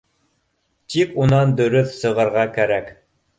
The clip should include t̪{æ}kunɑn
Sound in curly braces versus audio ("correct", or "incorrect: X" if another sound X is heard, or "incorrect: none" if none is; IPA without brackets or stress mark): incorrect: i